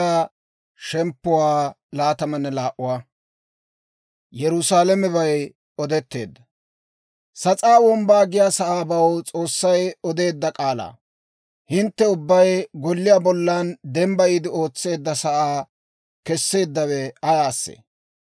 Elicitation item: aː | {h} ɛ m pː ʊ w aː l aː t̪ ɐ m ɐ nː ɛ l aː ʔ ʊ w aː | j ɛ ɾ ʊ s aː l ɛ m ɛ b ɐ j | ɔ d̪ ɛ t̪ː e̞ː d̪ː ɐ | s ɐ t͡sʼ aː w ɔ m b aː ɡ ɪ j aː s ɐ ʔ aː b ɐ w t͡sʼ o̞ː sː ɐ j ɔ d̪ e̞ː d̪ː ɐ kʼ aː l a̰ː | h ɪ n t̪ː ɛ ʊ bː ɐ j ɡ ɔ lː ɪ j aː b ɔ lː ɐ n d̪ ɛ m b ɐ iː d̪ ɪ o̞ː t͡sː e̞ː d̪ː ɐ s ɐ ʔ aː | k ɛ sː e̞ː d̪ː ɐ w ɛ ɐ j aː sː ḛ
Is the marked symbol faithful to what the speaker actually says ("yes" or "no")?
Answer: no